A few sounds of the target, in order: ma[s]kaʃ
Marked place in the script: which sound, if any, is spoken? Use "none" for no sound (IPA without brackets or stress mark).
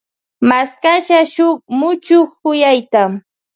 s